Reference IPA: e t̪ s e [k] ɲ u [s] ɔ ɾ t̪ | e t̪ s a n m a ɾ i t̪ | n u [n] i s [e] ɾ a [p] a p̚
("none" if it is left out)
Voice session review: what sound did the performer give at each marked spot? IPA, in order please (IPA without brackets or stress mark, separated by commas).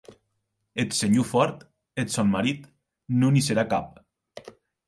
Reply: none, f, n, e, k